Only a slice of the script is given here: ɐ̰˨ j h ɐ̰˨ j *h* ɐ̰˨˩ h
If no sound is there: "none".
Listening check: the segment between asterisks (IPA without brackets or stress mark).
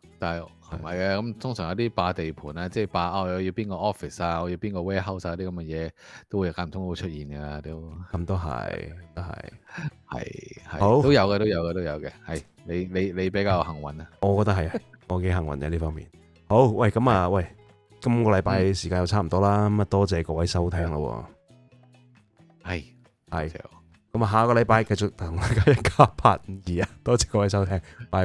h